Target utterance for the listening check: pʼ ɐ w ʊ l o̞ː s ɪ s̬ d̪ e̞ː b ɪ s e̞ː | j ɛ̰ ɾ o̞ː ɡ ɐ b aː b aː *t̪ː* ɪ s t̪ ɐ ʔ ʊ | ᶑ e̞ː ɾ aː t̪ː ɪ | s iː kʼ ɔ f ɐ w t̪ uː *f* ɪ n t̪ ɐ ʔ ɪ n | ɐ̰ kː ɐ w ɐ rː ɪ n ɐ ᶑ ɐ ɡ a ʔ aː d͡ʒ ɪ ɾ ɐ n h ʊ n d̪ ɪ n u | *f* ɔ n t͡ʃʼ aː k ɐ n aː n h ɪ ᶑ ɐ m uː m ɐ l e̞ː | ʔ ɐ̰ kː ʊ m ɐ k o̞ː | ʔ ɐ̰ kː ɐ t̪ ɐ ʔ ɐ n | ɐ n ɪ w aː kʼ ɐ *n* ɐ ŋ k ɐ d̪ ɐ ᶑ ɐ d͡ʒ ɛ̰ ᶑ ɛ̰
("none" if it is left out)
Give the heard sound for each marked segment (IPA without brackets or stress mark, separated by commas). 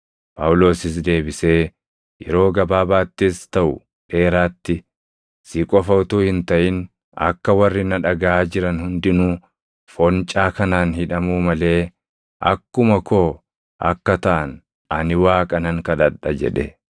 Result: t̪ː, h, f, n